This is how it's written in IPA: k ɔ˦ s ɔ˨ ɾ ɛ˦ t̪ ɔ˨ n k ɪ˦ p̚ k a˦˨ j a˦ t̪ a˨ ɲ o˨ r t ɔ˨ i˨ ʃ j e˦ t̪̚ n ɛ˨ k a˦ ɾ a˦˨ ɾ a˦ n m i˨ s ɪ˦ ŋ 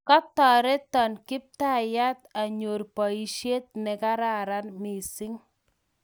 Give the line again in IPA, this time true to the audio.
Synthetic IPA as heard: k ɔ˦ t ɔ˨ ɾ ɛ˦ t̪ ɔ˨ n k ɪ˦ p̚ t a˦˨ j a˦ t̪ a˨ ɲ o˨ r p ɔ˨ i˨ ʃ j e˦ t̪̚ n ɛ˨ k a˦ ɾ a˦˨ ɾ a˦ n m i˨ s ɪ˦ ŋ